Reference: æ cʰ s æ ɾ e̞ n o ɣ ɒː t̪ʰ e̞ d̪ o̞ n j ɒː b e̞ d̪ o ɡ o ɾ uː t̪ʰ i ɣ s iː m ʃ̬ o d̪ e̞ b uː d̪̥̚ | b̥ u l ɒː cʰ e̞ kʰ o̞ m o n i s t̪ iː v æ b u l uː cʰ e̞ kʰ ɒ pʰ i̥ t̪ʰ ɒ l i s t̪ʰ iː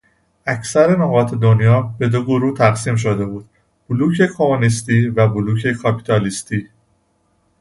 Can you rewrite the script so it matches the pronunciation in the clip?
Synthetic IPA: æ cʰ s æ ɾ e̞ n o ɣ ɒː t̪ʰ e̞ d̪ o̞ n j ɒː b e̞ d̪ o ɡ o ɾ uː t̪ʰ æ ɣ s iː m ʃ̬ o d̪ e̞ b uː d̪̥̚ | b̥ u l uː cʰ e̞ kʰ o̞ m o n i s t̪ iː v æ b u l uː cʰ e̞ kʰ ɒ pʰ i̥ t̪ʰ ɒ l i s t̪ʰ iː